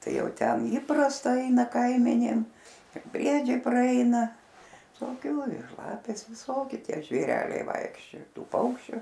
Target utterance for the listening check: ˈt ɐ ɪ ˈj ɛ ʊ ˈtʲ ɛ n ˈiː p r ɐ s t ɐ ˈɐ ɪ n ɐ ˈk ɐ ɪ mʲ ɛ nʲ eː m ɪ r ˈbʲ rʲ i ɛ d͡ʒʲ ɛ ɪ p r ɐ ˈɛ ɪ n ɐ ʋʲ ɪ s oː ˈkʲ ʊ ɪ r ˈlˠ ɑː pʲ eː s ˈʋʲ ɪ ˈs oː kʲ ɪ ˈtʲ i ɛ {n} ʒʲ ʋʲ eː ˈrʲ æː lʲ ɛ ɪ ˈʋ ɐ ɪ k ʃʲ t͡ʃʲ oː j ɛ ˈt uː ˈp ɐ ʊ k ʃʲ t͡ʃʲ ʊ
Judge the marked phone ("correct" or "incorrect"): incorrect